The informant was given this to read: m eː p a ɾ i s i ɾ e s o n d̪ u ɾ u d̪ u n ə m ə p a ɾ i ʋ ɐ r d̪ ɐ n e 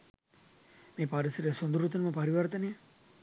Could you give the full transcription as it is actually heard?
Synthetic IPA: m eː p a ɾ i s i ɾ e s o n d̪ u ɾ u t̪ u n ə m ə p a ɾ i ʋ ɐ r t̪ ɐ n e